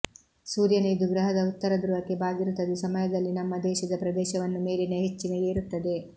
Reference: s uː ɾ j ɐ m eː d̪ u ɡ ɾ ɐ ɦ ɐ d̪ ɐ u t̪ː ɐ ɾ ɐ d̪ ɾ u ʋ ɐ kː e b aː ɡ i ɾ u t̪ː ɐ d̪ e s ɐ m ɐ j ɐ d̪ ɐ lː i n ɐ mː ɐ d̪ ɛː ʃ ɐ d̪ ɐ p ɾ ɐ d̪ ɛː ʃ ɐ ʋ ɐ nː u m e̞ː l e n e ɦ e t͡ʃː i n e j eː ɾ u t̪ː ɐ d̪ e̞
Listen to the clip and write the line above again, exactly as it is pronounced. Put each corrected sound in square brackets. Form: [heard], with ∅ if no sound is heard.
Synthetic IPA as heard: s uː ɾ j ɐ [n] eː d̪ u ɡ ɾ ɐ ɦ ɐ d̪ ɐ u t̪ː ɐ ɾ ɐ d̪ ɾ u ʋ ɐ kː e b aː ɡ i ɾ u t̪ː ɐ d̪ e s ɐ m ɐ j ɐ d̪ ɐ lː i n ɐ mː ɐ d̪ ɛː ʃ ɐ d̪ ɐ p ɾ ɐ d̪ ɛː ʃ ɐ ʋ ɐ nː u m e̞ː l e n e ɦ e t͡ʃː i n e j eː ɾ u t̪ː ɐ d̪ e̞

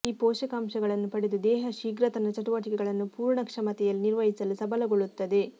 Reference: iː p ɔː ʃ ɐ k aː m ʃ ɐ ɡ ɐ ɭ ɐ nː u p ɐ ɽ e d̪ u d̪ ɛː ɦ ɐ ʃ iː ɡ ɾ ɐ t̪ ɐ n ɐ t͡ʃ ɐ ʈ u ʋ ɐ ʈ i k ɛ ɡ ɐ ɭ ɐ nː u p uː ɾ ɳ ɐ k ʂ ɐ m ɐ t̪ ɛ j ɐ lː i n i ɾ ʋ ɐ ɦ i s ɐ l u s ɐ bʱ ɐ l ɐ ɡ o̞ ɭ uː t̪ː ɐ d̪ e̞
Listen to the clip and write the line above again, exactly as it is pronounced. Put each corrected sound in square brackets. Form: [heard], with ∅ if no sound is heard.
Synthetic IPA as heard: iː p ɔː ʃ ɐ k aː m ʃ ɐ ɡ ɐ ɭ ɐ nː u p ɐ ɽ e d̪ u d̪ ɛː ɦ ɐ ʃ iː ɡ ɾ ɐ t̪ ɐ n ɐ t͡ʃ ɐ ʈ u ʋ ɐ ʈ i k ɛ ɡ ɐ ɭ ɐ nː u p uː ɾ ɳ ɐ k ʂ ɐ m ɐ t̪ ɛ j ɐ lː i n i ɾ ʋ ɐ ɦ i s ɐ l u s ɐ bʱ ɐ l ɐ ɡ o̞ ɭ [u] t̪ː ɐ d̪ e̞

